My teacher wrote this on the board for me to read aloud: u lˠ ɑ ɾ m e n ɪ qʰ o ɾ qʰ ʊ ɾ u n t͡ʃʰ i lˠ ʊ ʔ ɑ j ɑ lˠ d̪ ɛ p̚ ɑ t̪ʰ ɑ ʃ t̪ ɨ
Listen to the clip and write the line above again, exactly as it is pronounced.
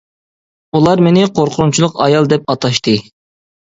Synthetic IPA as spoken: u lˠ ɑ ɾ m e n ɪ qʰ o ɾ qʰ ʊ ɾ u n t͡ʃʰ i lˠ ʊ q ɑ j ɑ lˠ d̪ ɛ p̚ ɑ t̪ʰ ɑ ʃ t̪ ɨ